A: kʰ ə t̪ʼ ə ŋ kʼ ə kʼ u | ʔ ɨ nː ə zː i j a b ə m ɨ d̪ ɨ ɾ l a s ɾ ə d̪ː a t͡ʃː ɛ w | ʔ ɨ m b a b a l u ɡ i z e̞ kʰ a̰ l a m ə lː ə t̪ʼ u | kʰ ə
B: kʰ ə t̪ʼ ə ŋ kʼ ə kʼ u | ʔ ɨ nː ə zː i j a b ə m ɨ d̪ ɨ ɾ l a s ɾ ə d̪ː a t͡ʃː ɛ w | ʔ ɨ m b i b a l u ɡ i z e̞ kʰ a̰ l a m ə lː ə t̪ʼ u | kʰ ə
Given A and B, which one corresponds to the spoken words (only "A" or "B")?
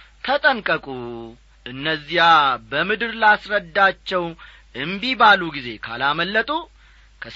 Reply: B